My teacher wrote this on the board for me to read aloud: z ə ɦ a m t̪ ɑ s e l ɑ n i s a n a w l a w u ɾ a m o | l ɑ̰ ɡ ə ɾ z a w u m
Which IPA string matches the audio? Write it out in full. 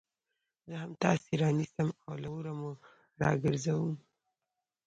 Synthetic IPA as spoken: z ə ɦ a m t̪ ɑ s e ɾ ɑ n i s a m a w l a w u ɾ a m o | ɾ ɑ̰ ɡ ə ɾ z a w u m